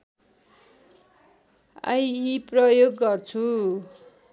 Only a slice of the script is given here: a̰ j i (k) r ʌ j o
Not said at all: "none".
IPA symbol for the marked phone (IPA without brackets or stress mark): p